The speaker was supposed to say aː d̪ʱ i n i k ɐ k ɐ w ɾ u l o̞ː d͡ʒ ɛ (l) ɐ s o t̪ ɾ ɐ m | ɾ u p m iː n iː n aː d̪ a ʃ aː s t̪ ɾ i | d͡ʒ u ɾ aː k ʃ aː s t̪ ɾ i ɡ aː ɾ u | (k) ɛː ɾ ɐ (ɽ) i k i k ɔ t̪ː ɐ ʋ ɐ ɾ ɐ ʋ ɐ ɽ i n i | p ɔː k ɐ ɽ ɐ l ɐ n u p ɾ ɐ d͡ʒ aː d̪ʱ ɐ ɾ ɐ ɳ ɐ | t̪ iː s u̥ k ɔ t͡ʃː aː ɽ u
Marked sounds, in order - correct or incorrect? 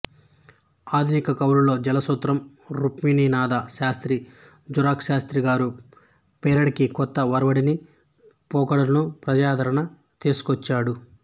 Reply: correct, incorrect, correct

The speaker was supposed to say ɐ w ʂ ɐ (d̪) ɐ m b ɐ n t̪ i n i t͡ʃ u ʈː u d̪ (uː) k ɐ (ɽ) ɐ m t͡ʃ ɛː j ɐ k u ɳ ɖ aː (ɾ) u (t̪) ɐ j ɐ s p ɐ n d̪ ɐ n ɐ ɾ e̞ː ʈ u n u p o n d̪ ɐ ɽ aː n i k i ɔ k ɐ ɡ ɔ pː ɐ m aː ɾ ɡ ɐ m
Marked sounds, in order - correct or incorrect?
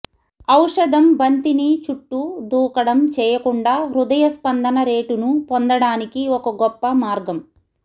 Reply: correct, correct, correct, correct, incorrect

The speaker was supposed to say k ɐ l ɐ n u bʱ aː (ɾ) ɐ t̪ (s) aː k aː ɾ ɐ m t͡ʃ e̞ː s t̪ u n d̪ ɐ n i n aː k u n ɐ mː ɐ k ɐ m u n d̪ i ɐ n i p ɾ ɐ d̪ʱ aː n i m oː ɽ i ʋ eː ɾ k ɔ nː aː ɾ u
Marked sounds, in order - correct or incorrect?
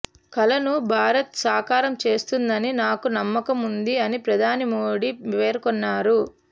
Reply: correct, correct

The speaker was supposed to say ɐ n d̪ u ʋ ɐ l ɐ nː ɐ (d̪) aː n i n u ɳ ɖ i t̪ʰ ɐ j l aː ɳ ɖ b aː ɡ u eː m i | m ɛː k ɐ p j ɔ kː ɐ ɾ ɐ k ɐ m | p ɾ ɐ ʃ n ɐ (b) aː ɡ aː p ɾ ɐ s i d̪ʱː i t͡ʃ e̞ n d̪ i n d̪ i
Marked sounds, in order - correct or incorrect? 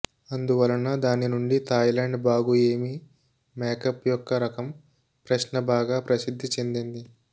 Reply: correct, correct

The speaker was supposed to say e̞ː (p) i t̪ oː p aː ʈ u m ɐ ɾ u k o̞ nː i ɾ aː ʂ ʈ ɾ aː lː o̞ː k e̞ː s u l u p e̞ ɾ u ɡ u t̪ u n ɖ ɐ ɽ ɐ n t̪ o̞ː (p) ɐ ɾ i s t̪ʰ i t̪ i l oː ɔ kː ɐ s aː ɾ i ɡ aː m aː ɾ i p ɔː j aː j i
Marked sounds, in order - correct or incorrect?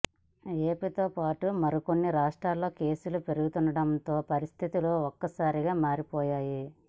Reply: correct, correct

